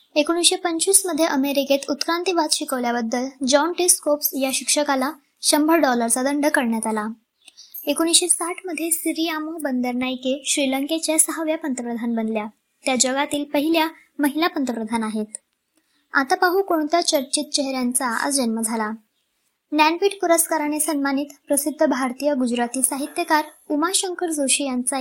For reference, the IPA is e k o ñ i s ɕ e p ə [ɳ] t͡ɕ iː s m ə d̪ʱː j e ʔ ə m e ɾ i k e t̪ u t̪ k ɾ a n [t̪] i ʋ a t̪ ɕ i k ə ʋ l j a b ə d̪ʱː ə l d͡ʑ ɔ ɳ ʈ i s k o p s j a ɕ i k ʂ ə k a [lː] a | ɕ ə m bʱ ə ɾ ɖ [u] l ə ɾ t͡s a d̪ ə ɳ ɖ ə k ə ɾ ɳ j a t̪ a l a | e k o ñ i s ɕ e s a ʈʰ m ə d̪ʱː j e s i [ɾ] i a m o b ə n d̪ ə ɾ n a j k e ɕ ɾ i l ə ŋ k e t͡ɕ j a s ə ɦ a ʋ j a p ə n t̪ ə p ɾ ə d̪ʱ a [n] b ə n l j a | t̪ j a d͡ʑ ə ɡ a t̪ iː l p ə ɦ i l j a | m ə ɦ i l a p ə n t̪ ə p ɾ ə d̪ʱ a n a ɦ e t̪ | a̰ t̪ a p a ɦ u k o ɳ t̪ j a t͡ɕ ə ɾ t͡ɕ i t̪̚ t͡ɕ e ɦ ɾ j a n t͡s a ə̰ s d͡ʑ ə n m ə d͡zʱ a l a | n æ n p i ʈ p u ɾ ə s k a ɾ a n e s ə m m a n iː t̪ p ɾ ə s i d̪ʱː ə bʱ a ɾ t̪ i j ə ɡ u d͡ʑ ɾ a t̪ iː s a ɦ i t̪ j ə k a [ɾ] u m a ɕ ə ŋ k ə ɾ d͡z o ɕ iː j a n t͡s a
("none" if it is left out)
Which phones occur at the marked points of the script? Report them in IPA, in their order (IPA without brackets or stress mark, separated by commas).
ɲ, t̪, l, ɔ, ɾ, n, ɾ